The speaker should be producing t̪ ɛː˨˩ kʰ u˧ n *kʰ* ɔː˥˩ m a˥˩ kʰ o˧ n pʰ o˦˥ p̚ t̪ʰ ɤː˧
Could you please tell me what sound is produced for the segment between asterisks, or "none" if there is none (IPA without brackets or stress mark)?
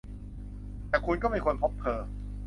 k